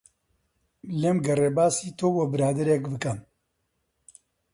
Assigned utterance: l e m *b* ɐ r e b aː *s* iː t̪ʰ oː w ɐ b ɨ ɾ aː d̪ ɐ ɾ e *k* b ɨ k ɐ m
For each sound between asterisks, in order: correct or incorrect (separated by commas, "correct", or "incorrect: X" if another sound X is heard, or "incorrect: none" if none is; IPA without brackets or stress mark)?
incorrect: ɡ, correct, correct